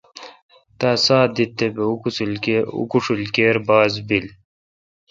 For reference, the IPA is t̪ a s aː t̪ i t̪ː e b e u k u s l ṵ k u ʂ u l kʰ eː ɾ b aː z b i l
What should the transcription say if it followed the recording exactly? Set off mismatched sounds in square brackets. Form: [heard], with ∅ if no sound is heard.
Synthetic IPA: t̪ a s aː [d̪] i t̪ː e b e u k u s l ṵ k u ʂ u l [k] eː ɾ b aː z b i l